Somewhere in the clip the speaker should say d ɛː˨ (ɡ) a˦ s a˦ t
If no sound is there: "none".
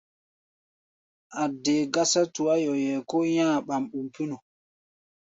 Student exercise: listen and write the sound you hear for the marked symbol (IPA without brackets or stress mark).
ɡ